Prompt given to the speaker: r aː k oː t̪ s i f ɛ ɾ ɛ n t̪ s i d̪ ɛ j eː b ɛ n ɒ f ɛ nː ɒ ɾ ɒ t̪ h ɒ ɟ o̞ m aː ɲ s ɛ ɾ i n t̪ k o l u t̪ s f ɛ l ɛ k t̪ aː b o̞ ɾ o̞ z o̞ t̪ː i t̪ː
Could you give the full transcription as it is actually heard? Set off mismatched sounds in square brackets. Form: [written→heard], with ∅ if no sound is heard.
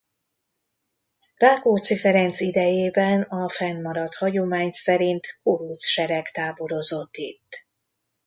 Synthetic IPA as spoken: r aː k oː t̪ s i f ɛ ɾ ɛ n t̪ s i d̪ ɛ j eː b ɛ n ɒ f ɛ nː ɒ ɾ ɒ t̪ h ɒ ɟ o̞ m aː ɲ s ɛ ɾ i n t̪ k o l u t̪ s [f→ʃ] ɛ [l→ɾ] ɛ k t̪ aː b o̞ ɾ o̞ z o̞ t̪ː i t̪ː